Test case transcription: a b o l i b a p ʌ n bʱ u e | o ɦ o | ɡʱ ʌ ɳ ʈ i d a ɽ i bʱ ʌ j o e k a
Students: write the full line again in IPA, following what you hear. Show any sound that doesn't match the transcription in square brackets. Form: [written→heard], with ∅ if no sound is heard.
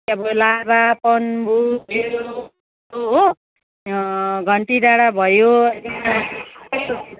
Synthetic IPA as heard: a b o l [i→a] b a p ʌ n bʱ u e | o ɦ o | ɡʱ ʌ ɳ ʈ i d a ɽ [i→a] bʱ ʌ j o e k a